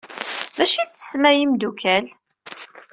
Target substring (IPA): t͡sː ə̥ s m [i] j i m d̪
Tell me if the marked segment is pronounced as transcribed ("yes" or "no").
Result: no